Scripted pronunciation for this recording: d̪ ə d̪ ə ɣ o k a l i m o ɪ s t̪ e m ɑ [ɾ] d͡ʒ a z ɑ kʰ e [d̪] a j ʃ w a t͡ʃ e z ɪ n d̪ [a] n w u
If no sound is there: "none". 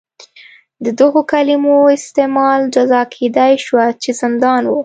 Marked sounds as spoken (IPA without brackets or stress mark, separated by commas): l, d̪, ɑ